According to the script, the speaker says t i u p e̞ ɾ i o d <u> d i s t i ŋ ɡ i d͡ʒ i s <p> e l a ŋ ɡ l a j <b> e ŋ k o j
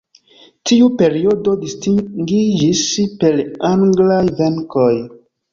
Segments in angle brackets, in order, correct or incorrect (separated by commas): incorrect, correct, incorrect